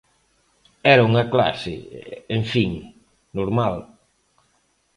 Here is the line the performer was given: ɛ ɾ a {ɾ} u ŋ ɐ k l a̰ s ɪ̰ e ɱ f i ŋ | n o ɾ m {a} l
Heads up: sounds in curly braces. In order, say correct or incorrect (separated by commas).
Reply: incorrect, correct